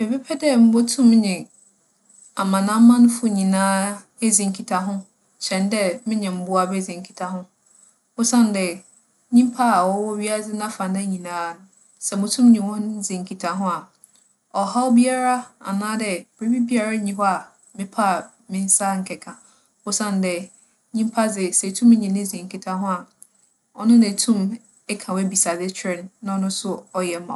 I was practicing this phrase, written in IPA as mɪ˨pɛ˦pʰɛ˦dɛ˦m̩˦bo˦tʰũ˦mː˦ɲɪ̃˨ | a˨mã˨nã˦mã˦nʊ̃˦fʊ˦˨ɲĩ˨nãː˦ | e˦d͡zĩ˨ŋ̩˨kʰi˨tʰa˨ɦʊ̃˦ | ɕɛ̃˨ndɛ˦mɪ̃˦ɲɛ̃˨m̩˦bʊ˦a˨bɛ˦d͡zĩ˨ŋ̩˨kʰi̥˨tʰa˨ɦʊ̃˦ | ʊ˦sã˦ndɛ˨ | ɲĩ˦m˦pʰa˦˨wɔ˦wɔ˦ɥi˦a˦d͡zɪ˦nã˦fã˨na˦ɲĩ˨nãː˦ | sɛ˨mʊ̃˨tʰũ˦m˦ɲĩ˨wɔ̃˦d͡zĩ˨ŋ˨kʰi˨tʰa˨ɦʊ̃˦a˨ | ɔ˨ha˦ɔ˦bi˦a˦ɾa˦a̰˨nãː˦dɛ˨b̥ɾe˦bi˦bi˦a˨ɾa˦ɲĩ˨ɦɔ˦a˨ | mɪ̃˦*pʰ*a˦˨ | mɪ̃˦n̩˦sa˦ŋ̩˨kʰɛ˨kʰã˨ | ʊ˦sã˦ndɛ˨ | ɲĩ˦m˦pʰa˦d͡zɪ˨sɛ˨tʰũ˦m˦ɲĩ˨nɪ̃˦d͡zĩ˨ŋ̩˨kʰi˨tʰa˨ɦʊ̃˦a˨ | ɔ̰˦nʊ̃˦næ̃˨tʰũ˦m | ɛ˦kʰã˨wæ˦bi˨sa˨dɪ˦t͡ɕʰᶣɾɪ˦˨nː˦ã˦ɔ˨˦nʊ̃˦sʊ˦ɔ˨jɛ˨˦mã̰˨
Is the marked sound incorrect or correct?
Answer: correct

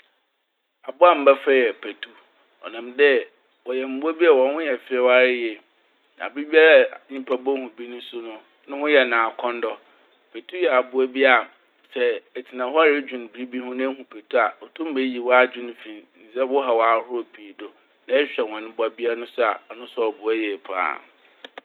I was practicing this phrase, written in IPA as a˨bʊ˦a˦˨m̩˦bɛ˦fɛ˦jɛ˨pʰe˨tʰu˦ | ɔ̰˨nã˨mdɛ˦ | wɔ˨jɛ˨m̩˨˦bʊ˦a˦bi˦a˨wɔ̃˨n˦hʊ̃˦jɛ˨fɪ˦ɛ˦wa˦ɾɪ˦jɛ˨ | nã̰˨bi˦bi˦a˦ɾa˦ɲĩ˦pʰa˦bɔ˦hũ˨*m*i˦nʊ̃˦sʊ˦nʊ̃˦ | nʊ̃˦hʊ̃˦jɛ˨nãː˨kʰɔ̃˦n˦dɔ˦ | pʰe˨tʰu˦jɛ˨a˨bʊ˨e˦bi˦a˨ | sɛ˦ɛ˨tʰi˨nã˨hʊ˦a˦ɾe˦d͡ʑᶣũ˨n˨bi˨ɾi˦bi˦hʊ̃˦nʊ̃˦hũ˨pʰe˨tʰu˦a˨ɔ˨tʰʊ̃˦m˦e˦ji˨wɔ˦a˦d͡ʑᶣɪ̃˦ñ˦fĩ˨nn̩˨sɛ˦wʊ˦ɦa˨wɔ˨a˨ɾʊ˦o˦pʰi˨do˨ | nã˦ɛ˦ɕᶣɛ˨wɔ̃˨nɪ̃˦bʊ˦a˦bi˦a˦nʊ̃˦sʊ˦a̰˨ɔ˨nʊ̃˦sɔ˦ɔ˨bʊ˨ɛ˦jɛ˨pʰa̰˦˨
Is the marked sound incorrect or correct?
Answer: incorrect: b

